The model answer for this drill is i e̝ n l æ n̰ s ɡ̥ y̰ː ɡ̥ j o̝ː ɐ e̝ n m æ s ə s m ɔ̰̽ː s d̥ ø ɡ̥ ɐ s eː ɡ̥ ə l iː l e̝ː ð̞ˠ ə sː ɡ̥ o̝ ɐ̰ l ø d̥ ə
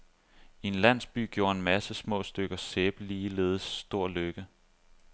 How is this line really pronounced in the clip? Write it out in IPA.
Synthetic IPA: i e̝ n l æ n̰ s b̥ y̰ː ɡ̥ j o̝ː ɐ e̝ n m æ s ə s m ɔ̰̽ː s d̥ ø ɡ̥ ɐ s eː b̥ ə l iː l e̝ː ð̞ˠ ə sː d̥ o̝ ɐ̰ l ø ɡ̥ ə